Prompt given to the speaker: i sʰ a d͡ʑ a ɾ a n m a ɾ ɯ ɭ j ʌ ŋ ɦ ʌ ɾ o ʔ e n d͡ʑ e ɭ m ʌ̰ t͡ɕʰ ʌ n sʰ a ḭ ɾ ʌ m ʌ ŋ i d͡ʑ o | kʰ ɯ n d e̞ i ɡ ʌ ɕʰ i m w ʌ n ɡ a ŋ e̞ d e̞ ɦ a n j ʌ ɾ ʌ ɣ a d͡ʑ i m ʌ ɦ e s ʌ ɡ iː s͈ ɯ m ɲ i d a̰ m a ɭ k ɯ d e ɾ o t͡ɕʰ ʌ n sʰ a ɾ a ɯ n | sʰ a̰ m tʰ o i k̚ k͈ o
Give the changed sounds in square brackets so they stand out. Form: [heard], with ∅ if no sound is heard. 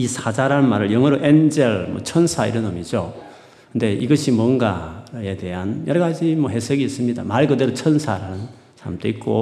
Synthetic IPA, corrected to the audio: i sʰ a d͡ʑ a ɾ a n m a ɾ ɯ ɭ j ʌ ŋ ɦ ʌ ɾ o ʔ e n d͡ʑ e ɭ m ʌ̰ t͡ɕʰ ʌ n sʰ a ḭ ɾ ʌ [n] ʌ [m] i d͡ʑ o | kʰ ɯ n d e̞ i ɡ ʌ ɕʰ i m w ʌ n ɡ a [∅] e̞ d e̞ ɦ a n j ʌ ɾ ʌ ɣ a d͡ʑ i m ʌ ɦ e s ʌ ɡ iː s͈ ɯ m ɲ i d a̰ m a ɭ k ɯ d e ɾ o t͡ɕʰ ʌ n sʰ a ɾ a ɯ n | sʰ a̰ m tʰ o i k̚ k͈ o